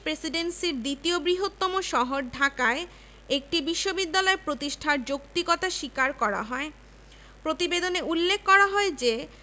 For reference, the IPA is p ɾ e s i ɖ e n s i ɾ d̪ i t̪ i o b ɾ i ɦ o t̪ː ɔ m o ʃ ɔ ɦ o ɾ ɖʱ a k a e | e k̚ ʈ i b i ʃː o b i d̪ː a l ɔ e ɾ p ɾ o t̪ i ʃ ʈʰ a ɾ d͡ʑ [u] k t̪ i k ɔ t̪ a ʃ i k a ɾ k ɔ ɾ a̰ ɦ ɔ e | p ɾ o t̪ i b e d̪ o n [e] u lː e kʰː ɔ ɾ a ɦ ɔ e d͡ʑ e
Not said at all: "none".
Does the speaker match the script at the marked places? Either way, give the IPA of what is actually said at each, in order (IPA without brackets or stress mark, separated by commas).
o, e